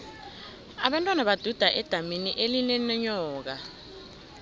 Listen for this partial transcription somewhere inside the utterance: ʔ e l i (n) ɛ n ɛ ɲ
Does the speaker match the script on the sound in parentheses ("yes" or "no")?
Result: yes